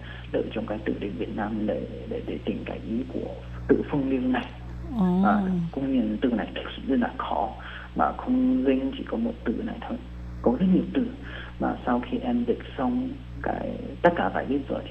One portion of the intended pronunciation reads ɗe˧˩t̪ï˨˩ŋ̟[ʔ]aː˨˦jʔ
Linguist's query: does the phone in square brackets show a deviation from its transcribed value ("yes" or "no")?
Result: yes